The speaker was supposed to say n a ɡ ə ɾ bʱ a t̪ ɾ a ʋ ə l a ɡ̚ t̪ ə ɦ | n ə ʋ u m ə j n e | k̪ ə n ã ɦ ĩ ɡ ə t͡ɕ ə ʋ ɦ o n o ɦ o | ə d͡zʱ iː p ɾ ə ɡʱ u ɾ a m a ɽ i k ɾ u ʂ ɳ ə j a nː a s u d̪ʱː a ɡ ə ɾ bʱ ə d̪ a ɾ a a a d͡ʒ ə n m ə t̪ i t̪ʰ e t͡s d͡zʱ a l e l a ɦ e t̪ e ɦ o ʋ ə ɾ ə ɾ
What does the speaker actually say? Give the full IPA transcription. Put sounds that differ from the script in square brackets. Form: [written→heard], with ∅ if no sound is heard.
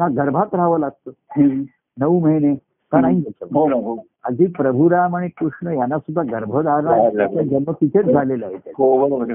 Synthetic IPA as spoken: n a ɡ ə ɾ bʱ a t̪ ɾ a ʋ ə l a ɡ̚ t̪ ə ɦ | n ə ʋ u m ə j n e | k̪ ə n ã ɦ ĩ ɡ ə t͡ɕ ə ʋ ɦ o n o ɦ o | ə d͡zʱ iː p ɾ ə [ɡʱ→bʱ] u ɾ a m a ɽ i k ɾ u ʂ ɳ ə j a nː a s u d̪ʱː a ɡ ə ɾ bʱ ə d̪ a ɾ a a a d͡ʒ ə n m ə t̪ i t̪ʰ e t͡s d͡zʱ a l e l a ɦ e t̪ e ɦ o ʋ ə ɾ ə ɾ